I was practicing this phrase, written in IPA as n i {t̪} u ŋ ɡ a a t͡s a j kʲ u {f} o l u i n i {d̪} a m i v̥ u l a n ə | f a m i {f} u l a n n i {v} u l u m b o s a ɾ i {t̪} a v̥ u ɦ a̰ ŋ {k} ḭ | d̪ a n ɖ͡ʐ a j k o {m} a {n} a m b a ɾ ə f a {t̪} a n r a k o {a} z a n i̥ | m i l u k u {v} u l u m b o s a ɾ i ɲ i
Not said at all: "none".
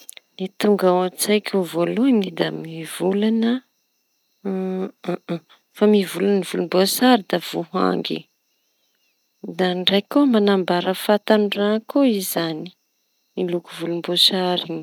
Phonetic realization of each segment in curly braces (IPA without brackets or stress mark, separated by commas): t̪, v, d̪, v, v, d̪, ɡ, m, n, t̪, i, v